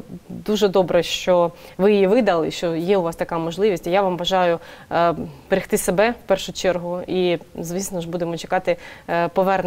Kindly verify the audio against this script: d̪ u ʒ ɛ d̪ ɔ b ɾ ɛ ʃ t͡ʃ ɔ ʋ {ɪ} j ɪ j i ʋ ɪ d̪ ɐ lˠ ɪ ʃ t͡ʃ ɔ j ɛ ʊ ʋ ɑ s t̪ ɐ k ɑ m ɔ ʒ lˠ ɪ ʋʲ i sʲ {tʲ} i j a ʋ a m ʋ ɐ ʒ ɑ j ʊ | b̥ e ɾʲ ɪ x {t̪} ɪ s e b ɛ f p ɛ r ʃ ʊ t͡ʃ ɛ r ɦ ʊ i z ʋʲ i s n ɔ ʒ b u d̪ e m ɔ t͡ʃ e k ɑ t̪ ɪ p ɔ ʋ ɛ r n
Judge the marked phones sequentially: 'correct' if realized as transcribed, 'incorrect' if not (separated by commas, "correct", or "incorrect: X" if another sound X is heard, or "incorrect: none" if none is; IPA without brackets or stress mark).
correct, correct, correct